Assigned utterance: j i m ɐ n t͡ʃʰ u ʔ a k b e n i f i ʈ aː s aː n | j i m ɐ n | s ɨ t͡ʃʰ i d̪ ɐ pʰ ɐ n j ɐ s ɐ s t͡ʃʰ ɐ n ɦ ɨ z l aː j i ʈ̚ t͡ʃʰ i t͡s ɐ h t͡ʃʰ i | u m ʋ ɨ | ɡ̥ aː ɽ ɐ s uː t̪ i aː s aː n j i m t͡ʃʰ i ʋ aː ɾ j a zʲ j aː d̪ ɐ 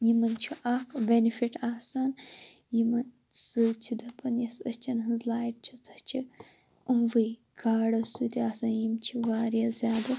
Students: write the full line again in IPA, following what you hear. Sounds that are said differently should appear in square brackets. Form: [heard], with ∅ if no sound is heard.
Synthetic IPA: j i m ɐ n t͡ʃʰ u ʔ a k b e n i f i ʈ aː s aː n | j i m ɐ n | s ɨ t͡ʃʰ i d̪ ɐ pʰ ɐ n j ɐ s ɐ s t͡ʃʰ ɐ n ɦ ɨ z l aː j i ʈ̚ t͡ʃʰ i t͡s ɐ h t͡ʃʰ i | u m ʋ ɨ | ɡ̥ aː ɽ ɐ s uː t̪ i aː s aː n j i m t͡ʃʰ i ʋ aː ɾ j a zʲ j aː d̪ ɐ